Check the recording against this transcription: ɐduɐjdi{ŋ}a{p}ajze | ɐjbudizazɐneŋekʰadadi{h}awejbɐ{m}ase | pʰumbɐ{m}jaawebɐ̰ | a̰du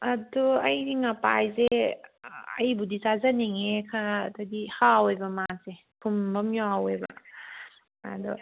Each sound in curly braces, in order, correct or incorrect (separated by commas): correct, correct, correct, correct, correct